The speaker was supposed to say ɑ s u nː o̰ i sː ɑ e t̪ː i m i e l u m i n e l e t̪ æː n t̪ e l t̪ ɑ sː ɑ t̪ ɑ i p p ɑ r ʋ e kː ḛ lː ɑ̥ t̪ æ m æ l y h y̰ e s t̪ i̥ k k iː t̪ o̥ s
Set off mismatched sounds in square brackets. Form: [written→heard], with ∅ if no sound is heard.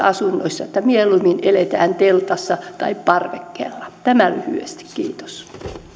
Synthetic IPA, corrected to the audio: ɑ s u nː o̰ i sː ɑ e t̪ː [i→æ] m i e l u m i n e l e t̪ æː n t̪ e l t̪ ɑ sː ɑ t̪ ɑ i p p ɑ r ʋ e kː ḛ lː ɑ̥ t̪ æ m æ l y h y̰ e s t̪ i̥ k k iː t̪ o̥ s

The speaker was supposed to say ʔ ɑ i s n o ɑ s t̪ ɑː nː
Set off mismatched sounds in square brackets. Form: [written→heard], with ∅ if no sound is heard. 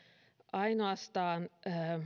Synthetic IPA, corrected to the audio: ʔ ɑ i [s→∅] n o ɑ s t̪ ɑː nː

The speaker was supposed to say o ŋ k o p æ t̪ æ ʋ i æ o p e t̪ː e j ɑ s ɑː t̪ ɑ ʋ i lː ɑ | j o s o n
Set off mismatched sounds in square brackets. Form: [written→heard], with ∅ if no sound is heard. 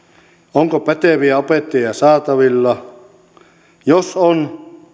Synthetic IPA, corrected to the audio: o ŋ k o p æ t̪ [æ→e] ʋ i æ o p e t̪ː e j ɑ s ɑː t̪ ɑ ʋ i lː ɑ | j o s o n

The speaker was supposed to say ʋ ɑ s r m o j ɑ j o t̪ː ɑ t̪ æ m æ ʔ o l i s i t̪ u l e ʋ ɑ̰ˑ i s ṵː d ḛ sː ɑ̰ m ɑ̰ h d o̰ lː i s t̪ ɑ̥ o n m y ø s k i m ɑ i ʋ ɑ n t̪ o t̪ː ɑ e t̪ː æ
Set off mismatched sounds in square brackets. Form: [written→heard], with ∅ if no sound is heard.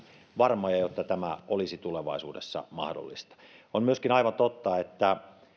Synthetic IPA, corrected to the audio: ʋ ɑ [s→∅] r m o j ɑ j o t̪ː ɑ t̪ æ m æ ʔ o l i s i t̪ u l e ʋ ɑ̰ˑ i s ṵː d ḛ sː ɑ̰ m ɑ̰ h d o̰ lː i s t̪ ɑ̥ o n m y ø s k i [m→n] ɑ i ʋ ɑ n t̪ o t̪ː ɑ e t̪ː æ

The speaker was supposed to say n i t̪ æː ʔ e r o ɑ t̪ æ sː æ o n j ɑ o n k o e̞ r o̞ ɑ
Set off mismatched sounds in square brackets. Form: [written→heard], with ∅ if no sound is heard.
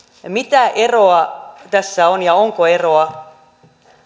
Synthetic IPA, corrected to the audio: [n→m] i t̪ [æː→æ] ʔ e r o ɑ t̪ æ sː æ o n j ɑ o [n→ŋ] k o e̞ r o̞ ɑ

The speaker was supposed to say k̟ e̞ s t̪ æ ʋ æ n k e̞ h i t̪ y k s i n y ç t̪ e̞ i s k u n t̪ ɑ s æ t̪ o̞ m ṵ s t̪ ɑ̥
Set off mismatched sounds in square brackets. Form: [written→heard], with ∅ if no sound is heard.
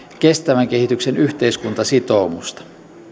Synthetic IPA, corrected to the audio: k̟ e̞ s t̪ æ ʋ æ [n→ŋ] k e̞ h i t̪ y k s [i→e] n y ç t̪ e̞ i s k u n t̪ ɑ s [æ→i] t̪ o̞ m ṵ s t̪ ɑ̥

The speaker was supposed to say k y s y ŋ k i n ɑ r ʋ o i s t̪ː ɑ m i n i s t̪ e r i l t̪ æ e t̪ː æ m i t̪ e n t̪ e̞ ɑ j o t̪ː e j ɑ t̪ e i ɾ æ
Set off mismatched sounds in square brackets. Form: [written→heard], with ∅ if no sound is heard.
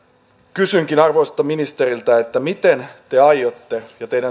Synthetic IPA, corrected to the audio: k y s y ŋ k i n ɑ r ʋ o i s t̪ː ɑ m i n i s t̪ e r i l t̪ æ e t̪ː æ m i t̪ e n t̪ e̞ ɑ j o t̪ː e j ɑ t̪ e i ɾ æ

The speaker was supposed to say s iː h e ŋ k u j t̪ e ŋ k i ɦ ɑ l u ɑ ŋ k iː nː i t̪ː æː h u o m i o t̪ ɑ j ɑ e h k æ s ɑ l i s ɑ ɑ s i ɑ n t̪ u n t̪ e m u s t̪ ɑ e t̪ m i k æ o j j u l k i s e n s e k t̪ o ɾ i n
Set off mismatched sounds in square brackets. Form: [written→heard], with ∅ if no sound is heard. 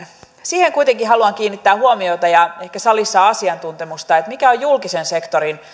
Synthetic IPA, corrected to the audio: s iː h e ŋ k u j t̪ e ŋ k i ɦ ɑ l u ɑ ŋ k iː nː i t̪ː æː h u o m i o t̪ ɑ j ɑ e h k æ s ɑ l i [s→sː] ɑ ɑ s i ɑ n t̪ u n t̪ e m u s t̪ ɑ e t̪ m i k æ o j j u l k i s e n s e k t̪ o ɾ i n

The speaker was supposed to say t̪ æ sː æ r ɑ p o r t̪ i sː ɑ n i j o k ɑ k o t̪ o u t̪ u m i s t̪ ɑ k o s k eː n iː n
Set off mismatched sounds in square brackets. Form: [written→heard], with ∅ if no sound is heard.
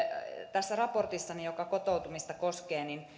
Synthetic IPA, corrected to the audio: t̪ æ sː æ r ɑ p o r t̪ i sː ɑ n i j o k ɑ k o t̪ o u t̪ u m i s t̪ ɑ k o s k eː n [iː→i] n

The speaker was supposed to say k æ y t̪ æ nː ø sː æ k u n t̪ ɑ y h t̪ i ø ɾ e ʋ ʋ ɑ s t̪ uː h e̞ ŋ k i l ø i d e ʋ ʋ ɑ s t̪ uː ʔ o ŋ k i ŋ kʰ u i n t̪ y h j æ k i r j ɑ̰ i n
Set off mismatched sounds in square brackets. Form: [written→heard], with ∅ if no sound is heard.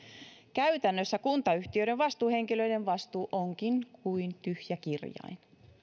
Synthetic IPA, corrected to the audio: k æ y t̪ æ nː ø sː æ k u n t̪ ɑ y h t̪ i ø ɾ e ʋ ʋ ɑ s t̪ uː h e̞ ŋ k i l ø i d e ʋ ʋ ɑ s t̪ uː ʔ o ŋ k i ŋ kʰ u i n t̪ y h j æ k i r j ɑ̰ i n

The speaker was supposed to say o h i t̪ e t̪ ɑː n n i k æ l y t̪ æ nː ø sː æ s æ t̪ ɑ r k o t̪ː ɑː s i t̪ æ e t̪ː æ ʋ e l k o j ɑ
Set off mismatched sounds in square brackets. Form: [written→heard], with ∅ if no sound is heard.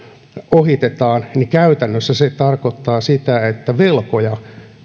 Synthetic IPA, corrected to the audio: o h i t̪ e t̪ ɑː n n i k æ [l→∅] y t̪ æ nː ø sː æ s [æ→e] t̪ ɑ r k o t̪ː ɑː s i t̪ æ e t̪ː æ ʋ e l k o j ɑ

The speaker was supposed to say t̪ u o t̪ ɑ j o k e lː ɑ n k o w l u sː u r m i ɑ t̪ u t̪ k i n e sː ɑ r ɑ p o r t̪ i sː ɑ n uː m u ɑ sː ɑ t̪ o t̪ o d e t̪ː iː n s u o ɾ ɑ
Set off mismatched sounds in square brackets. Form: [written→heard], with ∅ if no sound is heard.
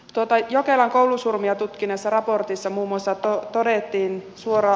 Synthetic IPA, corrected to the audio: t̪ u o t̪ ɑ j o k e [lː→l] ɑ [n→ŋ] k o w l u [sː→s] u r m i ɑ t̪ u t̪ k i n e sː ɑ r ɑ p o r t̪ i sː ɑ [n→m] uː m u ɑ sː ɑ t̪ o t̪ o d e t̪ː iː n s u o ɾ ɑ

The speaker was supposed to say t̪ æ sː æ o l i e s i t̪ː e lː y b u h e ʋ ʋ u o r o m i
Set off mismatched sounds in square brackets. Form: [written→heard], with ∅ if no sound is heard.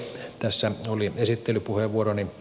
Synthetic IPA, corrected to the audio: t̪ æ sː æ o l i e s i t̪ː e [lː→l] y [b→p] u h e ʋ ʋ u o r o [m→n] i

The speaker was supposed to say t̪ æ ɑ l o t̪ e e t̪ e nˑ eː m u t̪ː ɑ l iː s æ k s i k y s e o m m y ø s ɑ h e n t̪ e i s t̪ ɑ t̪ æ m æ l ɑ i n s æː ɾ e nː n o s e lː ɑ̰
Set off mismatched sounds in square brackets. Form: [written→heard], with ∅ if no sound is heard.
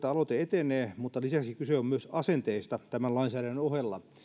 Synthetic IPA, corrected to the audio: t̪ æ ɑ l o t̪ e e t̪ e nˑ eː m u t̪ː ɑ l [iː→i] s æ k s i k y s e o m m y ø s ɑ [h→s] e n t̪ e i s t̪ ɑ t̪ æ m æ l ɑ i n s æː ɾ [e→æ] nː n o [s→h] e lː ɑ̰

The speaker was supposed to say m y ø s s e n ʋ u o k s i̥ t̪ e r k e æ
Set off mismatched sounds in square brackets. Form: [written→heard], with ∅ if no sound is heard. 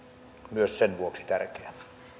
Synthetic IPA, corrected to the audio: m y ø s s e n ʋ u o k s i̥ t̪ [e→æ] r k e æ

